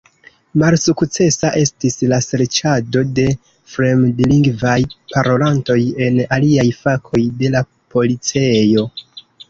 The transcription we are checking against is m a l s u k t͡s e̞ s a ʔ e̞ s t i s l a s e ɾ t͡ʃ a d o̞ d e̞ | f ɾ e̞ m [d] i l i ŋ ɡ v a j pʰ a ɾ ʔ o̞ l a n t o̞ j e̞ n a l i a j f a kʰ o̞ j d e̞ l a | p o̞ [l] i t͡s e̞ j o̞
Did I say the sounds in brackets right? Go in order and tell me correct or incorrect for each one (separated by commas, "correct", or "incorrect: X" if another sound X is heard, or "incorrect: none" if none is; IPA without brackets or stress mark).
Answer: correct, correct